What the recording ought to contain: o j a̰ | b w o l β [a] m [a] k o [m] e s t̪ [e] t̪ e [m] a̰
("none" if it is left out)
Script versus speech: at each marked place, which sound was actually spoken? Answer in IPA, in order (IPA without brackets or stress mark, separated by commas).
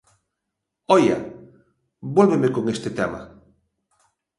e, e, ŋ, e, m